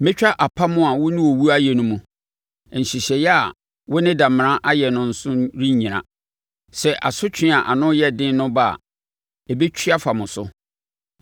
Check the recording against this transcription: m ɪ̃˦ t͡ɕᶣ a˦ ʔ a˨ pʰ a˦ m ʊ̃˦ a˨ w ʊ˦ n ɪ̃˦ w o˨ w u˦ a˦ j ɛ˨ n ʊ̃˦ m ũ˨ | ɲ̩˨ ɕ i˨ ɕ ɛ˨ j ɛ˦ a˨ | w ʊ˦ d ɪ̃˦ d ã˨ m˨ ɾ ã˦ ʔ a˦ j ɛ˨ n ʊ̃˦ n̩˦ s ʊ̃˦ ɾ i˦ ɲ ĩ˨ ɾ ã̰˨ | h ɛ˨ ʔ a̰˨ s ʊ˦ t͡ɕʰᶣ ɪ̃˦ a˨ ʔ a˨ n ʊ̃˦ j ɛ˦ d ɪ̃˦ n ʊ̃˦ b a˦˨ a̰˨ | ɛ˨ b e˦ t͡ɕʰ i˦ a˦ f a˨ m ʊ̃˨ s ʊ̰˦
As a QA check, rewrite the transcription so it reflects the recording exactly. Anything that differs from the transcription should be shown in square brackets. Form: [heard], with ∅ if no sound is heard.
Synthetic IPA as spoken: m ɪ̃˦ t͡ɕᶣ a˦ ʔ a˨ pʰ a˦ m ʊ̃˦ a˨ w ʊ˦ n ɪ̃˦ w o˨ w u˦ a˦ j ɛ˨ n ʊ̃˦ m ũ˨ | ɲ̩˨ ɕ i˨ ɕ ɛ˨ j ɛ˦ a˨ | w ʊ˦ [n] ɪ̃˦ d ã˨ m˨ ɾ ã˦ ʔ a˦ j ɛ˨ n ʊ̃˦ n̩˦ s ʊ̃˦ ɾ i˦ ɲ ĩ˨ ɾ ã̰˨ | [s] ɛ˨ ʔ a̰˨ s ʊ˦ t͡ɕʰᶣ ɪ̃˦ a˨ ʔ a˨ n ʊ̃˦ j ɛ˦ d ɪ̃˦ n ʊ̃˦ b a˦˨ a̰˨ | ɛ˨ b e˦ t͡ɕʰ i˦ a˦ f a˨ m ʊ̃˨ s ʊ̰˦

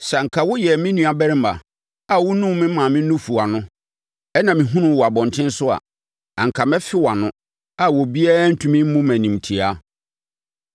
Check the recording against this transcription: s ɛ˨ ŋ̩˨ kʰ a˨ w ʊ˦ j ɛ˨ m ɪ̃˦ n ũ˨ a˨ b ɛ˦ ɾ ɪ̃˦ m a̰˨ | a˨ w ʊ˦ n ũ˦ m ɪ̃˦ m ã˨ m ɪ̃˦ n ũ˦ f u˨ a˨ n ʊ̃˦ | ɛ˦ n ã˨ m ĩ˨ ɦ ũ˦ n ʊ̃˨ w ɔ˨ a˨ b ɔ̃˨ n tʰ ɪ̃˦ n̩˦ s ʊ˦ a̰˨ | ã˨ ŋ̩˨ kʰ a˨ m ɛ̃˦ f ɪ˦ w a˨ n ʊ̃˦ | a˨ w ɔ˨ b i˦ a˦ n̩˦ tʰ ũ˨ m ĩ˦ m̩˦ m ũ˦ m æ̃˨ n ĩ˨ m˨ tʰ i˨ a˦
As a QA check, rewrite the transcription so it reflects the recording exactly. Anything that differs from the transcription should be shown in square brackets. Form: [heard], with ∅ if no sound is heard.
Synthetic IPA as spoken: s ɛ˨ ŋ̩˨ kʰ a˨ w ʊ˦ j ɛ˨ m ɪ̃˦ n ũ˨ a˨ b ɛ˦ ɾ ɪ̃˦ m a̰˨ | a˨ w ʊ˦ n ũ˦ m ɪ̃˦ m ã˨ m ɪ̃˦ n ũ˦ f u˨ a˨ n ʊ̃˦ | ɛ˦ n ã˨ m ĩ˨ ɦ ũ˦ n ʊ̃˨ w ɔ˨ a˨ b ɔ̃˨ n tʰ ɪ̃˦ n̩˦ s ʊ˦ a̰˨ | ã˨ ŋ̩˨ kʰ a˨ m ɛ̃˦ f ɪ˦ w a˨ n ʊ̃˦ | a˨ w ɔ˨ b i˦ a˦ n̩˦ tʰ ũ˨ m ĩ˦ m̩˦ m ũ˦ m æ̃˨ n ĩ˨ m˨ tʰ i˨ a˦

